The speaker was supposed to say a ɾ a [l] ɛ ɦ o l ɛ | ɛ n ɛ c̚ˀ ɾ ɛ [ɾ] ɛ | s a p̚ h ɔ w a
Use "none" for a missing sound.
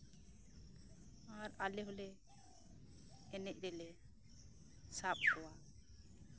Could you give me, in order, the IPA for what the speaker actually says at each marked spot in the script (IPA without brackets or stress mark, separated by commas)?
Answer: l, l